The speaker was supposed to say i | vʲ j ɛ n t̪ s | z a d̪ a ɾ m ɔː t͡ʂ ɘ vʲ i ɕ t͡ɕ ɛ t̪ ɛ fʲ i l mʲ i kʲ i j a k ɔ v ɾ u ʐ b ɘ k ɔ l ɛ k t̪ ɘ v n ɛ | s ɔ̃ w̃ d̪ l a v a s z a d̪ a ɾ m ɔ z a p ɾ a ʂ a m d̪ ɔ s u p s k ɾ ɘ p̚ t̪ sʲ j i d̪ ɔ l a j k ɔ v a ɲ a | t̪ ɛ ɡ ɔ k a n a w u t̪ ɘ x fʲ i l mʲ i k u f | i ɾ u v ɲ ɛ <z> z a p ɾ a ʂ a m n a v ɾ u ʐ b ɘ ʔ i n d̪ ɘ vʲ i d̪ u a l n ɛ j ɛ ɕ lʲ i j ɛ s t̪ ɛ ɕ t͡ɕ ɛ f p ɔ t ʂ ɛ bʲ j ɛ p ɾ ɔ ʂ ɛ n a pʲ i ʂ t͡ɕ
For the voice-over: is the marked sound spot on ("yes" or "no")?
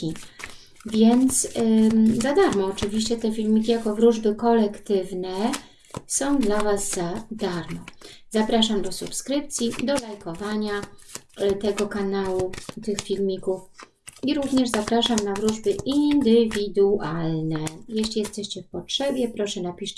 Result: no